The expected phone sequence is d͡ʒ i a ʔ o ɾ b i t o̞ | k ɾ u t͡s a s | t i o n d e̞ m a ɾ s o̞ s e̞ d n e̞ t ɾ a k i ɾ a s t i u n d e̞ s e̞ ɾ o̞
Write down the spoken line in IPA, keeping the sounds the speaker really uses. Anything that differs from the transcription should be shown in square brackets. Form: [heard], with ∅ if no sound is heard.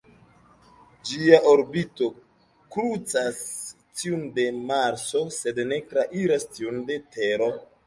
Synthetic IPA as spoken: d͡ʒ i a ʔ o ɾ b i t o̞ | k ɾ u t͡s a s | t i [u] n d e̞ m a ɾ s o̞ s e̞ d n e̞ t ɾ a [ʔ] i ɾ a s t i u n d e̞ [t] e̞ ɾ o̞